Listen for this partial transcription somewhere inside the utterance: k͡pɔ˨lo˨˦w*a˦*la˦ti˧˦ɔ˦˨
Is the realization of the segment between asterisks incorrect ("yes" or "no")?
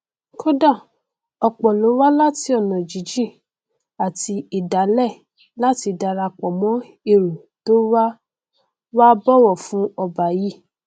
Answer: no